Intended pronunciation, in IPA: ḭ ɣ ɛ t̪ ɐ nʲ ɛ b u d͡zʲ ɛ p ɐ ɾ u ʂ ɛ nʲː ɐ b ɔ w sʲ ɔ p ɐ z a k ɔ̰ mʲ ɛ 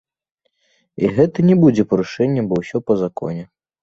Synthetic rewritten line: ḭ ɣ ɛ t̪ ɐ nʲ ɛ b u d͡zʲ ɛ p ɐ ɾ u ʂ ɛ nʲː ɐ b ɔ w sʲ ɔ p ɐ z a k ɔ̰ nʲ ɛ